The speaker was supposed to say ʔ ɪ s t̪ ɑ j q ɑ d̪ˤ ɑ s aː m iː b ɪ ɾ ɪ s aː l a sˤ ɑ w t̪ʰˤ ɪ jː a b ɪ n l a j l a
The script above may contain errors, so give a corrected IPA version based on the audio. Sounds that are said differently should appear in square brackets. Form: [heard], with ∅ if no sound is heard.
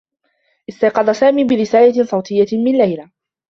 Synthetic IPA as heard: ʔ ɪ s t̪ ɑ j q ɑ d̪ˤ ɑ s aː m iː b ɪ ɾ ɪ s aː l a sˤ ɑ w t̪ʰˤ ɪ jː a [m] ɪ n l a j l a